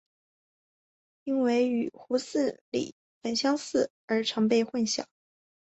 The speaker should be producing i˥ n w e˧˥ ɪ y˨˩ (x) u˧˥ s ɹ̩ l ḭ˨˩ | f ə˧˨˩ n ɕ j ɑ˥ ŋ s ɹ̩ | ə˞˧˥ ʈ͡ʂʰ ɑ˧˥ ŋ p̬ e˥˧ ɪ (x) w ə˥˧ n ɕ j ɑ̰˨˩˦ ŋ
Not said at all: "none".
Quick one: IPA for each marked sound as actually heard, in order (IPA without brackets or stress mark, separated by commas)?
x, x